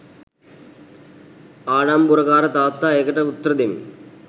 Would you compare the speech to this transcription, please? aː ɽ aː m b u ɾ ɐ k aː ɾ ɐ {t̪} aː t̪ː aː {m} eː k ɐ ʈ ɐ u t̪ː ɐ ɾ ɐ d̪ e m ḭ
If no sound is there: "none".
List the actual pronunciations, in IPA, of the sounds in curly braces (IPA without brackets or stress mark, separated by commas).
t̪, none